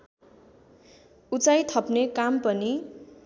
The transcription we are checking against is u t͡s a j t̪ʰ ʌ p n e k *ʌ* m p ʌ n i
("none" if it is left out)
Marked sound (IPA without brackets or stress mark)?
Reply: a